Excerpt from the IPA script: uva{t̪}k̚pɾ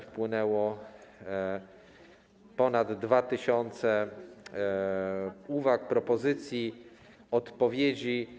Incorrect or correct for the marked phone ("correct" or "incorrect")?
incorrect